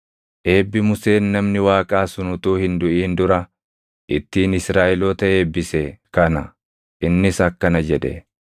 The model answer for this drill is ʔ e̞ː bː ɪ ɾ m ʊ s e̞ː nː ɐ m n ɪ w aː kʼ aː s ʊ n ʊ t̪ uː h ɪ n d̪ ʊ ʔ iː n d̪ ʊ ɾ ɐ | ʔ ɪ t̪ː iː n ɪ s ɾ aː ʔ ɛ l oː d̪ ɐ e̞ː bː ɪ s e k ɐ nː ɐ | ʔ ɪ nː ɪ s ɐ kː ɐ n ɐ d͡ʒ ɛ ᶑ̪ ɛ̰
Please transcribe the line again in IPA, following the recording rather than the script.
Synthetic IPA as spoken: ʔ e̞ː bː ɪ m ʊ s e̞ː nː ɐ m n ɪ w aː kʼ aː s ʊ n ʊ t̪ uː h ɪ n d̪ ʊ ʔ iː n d̪ ʊ ɾ ɐ | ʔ ɪ t̪ː iː n ɪ s ɾ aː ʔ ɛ l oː t̪ ɐ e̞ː bː ɪ s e k ɐ n ɐ | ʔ ɪ nː ɪ s ɐ kː ɐ n ɐ d͡ʒ ɛ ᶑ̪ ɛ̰